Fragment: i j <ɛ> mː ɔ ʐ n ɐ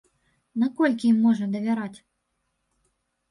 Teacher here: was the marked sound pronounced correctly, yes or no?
no